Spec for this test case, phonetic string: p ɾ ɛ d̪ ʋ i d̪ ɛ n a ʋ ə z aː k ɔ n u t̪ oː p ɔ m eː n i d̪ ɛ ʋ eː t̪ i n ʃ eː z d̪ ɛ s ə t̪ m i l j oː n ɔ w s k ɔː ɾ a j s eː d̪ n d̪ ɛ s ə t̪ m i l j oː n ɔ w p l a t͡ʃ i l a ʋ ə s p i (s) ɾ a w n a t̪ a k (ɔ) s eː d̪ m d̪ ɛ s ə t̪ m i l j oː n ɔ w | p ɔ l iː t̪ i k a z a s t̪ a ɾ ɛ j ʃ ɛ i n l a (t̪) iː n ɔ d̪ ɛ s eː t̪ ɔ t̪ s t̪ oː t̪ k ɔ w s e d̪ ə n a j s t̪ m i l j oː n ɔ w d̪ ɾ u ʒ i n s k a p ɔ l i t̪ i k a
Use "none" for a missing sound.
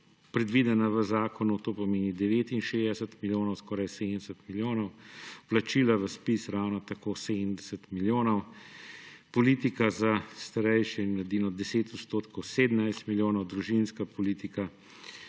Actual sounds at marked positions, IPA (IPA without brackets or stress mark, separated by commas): s, o, d̪